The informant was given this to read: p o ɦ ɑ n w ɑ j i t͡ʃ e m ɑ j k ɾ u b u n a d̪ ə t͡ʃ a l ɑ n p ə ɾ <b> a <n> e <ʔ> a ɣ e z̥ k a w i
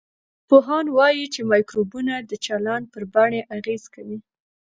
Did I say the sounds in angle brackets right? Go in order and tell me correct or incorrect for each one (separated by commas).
correct, incorrect, correct